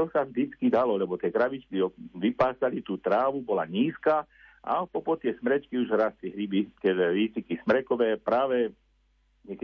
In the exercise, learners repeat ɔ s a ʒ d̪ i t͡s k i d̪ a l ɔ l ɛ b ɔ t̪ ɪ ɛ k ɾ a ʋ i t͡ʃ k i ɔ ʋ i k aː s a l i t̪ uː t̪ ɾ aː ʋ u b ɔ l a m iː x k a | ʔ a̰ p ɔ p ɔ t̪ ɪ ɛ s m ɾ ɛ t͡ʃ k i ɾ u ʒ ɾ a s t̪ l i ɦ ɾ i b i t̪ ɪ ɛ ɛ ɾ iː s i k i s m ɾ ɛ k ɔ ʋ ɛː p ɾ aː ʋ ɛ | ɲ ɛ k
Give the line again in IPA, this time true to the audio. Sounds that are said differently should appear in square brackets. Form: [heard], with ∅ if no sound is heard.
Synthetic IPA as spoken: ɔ s a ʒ d̪ i t͡s k i d̪ a l ɔ l ɛ b ɔ t̪ ɪ ɛ k ɾ a ʋ i t͡ʃ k i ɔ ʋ i [p] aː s a l i t̪ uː t̪ ɾ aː ʋ u b ɔ l a [ɲ] iː [s] k a | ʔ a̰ p ɔ p ɔ t̪ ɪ ɛ s m ɾ ɛ t͡ʃ k i [∅] u ʒ ɾ a s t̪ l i ɦ ɾ i b i t̪ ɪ ɛ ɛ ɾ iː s i k i s m ɾ ɛ k ɔ ʋ ɛː p ɾ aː ʋ ɛ | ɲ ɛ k